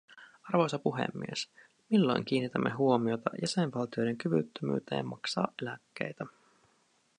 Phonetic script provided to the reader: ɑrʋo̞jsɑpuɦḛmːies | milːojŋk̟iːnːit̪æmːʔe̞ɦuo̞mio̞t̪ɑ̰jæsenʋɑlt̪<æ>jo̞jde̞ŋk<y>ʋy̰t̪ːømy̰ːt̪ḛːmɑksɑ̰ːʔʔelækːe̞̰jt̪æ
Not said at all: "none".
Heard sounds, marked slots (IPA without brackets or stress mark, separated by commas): i, y